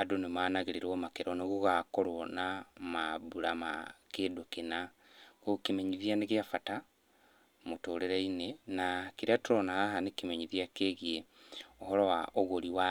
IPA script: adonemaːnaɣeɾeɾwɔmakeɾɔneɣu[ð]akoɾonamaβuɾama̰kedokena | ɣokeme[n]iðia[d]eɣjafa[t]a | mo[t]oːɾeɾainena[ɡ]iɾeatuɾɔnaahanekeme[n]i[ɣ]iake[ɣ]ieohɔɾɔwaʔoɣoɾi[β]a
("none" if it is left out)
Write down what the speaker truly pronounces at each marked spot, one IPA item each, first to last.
ɣ, ɲ, n, t, t, k, ɲ, ð, ɣ, w

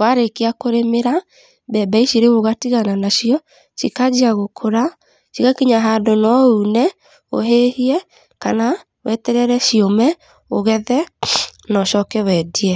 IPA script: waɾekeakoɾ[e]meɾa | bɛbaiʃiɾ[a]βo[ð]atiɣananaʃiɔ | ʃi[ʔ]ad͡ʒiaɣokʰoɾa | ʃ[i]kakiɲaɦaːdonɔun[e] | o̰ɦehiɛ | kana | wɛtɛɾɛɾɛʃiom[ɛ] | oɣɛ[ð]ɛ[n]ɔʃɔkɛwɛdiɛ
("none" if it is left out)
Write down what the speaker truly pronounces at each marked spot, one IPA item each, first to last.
e, e, ɣ, k, i, ɛ, ɛ, ð, n

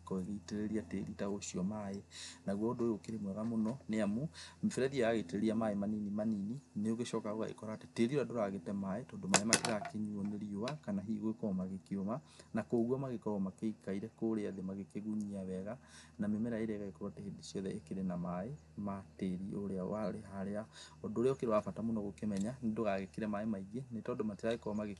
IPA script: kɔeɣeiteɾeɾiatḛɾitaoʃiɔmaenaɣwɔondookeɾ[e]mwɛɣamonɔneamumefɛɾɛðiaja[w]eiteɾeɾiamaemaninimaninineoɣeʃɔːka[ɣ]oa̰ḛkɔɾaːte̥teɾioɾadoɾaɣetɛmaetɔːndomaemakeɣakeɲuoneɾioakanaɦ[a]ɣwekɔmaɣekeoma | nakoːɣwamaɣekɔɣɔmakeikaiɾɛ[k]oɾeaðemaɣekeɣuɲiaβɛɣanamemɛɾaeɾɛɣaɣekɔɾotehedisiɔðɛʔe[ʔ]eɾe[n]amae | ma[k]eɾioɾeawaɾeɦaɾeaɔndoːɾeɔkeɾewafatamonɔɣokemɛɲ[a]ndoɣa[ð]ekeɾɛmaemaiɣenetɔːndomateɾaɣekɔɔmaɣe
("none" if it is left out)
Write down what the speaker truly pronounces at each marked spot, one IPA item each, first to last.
e, ɣ, ɣ, i, k, k, n, t, a, ɣ

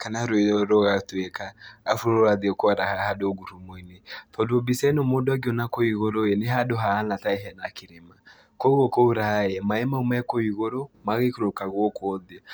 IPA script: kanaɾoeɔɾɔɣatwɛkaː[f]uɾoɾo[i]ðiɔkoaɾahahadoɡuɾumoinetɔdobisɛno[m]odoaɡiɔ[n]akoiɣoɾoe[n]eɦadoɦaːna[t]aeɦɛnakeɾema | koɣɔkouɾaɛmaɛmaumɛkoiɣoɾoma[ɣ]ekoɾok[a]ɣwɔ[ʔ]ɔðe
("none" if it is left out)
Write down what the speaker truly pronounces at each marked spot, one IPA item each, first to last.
f, a, m, n, n, t, ɣ, a, k

